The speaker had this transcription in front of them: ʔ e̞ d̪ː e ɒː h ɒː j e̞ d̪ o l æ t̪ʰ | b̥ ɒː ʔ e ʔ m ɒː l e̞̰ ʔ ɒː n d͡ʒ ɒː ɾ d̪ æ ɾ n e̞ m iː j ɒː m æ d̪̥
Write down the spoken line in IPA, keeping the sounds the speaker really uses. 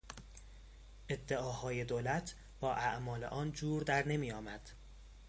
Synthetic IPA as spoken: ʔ e̞ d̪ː e ɒː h ɒː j e̞ d̪ o l æ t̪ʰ | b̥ ɒː ʔ æ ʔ m ɒː l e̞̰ ʔ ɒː n d͡ʒ uː ɾ d̪ æ ɾ n e̞ m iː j ɒː m æ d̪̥